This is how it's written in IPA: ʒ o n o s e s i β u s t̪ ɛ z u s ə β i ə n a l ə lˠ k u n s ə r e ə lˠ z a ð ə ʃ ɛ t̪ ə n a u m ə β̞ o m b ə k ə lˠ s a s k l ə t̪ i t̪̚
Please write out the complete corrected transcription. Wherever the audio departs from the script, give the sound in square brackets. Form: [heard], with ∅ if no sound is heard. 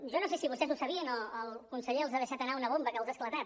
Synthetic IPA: ʒ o n o s e s i β u s t̪ ɛ z u s ə β i ə n [ə] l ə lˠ k u n s ə [ʎ] e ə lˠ z a ð ə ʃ [a] t̪ ə n a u [n] ə β̞ o m b ə k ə lˠ [z] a s k l ə t̪ [a] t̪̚